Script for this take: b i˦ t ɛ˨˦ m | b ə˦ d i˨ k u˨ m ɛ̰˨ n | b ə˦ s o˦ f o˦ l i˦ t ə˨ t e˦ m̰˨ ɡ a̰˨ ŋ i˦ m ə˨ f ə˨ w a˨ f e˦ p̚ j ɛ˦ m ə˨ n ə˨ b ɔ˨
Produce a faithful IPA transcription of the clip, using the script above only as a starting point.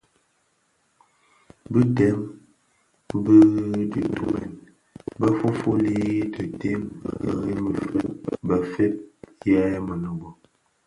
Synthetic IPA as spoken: b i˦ t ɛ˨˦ m | b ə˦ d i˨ t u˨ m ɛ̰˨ n | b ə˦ f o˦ f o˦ l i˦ t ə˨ t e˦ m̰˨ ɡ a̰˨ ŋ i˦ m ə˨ f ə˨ b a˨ f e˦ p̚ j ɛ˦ m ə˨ n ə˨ b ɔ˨